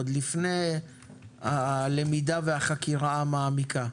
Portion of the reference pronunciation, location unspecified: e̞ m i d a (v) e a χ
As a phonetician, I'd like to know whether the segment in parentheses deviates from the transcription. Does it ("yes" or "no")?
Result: no